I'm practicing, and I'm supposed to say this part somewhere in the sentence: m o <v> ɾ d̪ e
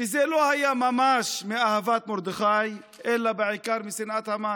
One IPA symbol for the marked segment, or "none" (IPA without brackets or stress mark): none